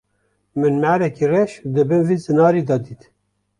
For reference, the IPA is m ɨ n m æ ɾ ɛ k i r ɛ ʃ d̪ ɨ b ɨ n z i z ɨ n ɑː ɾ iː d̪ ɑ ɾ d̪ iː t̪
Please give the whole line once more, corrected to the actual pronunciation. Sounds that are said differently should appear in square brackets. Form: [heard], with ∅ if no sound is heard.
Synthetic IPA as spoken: m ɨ n m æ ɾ ɛ k i r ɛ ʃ d̪ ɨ b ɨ n [v] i z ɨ n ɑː ɾ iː d̪ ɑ [∅] d̪ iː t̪